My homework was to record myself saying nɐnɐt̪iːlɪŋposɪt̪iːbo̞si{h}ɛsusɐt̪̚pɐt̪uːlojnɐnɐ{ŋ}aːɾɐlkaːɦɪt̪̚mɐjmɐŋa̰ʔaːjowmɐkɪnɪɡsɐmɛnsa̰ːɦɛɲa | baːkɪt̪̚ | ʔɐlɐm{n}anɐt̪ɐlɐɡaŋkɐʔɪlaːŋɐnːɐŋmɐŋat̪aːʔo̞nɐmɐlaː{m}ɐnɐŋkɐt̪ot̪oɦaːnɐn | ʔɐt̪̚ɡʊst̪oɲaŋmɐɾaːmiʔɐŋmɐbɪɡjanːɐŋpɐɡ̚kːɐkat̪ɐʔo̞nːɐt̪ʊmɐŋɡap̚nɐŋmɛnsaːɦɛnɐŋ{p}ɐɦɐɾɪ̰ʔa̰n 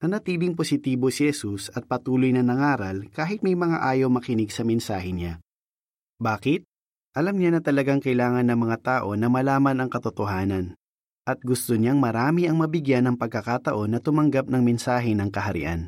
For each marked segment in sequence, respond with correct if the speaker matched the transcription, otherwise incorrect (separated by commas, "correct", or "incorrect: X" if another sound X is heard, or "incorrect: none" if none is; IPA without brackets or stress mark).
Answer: correct, correct, incorrect: ɲ, correct, incorrect: k